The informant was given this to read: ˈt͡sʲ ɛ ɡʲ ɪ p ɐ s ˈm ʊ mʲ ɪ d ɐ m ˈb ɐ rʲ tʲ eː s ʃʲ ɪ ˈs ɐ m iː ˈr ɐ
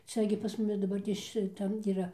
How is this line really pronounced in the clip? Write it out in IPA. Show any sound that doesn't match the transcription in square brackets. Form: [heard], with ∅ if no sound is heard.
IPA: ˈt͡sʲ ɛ ɡʲ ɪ p ɐ s ˈm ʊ mʲ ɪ d ɐ [∅] ˈb ɐ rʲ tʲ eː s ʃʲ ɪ [ˈt] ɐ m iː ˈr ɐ